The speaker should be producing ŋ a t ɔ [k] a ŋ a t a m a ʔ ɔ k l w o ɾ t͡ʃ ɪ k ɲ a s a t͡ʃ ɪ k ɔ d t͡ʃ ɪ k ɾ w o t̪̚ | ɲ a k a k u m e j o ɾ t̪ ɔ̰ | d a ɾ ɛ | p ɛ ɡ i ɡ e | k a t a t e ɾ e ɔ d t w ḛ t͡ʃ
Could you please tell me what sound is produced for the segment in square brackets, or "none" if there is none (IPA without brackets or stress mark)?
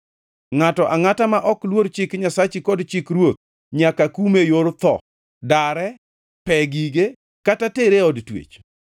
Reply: ʔ